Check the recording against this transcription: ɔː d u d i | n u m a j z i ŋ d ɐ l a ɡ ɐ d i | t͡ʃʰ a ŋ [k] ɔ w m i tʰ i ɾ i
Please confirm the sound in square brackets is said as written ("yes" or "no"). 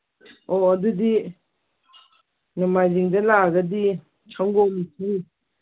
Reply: no